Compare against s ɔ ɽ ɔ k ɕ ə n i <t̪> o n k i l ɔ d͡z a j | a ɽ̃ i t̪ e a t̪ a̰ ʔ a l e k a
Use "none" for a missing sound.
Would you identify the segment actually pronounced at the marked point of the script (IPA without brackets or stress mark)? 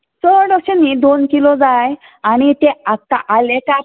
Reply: d̪